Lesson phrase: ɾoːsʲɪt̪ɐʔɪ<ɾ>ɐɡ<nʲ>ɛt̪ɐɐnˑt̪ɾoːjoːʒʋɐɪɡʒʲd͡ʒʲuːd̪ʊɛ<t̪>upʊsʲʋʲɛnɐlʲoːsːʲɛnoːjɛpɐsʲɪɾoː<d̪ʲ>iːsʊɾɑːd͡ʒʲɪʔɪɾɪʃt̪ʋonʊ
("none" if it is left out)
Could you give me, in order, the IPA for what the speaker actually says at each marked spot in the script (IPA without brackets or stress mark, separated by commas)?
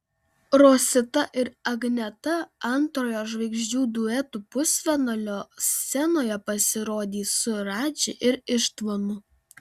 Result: ɾ, nʲ, t̪, d̪ʲ